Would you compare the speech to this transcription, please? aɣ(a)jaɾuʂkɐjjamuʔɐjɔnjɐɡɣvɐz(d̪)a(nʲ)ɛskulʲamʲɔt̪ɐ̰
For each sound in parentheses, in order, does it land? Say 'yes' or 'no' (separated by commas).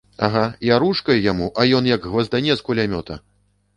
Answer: yes, yes, yes